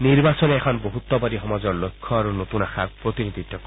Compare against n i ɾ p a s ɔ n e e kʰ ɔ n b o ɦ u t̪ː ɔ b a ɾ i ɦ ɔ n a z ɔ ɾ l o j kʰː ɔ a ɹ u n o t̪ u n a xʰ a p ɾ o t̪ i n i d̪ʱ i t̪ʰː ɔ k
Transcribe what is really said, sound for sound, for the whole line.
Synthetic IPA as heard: n i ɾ b a s ɔ n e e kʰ ɔ n b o ɦ u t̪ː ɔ b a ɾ i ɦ ɔ m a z ɔ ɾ l o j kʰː ɔ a ɾ u n o t̪ u n a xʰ a p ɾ o t̪ i n i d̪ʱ i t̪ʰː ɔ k